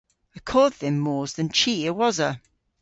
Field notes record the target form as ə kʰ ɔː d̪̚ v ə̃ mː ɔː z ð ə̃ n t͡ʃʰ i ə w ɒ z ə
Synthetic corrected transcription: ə kʰ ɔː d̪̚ ð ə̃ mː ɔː z ð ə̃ n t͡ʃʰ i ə w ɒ z ə